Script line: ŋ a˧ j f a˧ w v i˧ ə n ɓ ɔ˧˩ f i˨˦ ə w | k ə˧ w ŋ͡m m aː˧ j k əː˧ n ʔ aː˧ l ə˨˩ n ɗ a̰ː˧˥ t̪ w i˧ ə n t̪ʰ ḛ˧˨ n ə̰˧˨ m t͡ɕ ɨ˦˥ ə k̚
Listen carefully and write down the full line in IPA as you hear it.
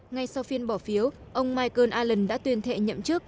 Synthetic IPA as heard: ŋ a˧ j s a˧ w f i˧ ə n ɓ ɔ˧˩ f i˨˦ ə w | ʔ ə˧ w ŋ͡m m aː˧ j k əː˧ n ʔ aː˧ l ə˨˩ n ɗ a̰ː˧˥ t̪ w i˧ ə n t̪ʰ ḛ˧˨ ɲ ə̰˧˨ m t͡ɕ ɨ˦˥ ə k̚